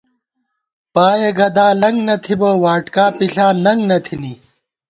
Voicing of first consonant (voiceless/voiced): voiceless